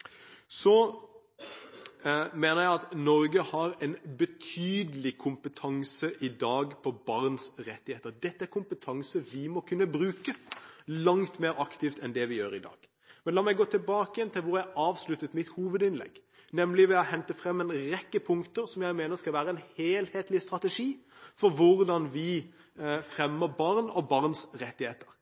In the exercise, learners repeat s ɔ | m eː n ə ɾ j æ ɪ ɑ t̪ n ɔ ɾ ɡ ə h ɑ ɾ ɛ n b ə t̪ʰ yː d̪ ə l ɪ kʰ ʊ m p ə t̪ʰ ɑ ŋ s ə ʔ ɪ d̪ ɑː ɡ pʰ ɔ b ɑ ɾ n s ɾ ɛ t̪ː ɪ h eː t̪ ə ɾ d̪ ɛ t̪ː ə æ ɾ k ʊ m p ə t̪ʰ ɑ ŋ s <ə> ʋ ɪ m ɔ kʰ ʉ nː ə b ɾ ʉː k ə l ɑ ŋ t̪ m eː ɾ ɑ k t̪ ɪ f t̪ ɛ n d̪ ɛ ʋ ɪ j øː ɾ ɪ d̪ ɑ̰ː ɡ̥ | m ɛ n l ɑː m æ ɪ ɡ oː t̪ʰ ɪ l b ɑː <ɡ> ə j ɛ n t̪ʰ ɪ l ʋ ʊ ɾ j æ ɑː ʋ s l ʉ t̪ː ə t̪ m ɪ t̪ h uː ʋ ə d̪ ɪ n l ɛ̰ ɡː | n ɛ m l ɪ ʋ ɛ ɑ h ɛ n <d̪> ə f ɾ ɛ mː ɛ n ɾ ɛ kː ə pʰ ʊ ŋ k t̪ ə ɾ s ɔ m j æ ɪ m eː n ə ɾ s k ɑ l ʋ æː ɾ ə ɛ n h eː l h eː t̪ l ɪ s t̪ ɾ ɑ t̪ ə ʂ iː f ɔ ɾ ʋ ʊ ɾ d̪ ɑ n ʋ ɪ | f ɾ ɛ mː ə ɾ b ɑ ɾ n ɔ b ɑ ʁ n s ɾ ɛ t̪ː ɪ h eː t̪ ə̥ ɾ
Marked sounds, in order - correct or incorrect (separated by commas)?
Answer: correct, incorrect, incorrect